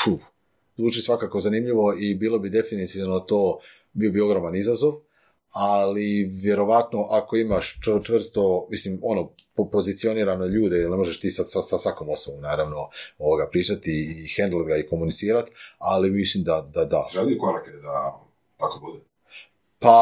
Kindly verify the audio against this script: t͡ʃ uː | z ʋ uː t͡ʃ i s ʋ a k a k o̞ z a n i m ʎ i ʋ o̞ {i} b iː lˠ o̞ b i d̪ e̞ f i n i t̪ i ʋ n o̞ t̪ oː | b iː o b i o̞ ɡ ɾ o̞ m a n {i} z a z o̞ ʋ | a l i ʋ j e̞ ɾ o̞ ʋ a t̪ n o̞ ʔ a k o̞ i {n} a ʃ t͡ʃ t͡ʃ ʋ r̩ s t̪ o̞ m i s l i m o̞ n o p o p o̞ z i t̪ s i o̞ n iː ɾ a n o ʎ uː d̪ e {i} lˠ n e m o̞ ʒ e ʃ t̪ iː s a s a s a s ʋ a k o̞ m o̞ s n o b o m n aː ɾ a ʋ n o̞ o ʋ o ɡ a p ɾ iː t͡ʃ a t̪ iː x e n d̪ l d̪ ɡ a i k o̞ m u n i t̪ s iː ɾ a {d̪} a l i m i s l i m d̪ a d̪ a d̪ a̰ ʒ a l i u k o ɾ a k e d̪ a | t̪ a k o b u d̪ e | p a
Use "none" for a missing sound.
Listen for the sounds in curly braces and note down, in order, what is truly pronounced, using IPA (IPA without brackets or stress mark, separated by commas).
i, i, m, i, t̪